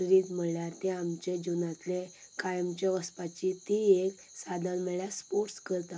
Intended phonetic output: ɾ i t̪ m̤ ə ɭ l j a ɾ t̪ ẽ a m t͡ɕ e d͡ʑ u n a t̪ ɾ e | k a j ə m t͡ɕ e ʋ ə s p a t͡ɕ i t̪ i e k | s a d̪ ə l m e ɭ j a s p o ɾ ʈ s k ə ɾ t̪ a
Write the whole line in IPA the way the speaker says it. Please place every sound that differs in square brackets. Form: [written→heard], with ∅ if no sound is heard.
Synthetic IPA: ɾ i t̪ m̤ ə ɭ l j a ɾ t̪ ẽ a m t͡ɕ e d͡ʑ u n a t̪ [ɾ→l] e | k a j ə m t͡ɕ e ʋ ə s p a t͡ɕ i t̪ i e k | s a d̪ ə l m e ɭ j a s p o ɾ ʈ s k ə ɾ t̪ a